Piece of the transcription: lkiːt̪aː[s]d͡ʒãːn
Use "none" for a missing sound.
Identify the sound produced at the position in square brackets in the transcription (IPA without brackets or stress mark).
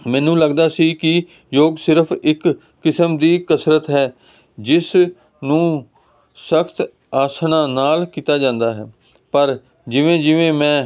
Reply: none